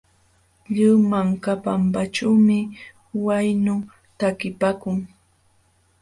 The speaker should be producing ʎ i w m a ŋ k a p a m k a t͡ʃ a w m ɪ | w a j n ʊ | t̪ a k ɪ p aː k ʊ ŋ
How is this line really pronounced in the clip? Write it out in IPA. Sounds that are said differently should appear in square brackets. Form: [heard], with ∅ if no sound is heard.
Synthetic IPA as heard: ʎ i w m a ŋ k a p a m [p] a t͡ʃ a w m ɪ | w a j n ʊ | t̪ a k ɪ p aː k ʊ ŋ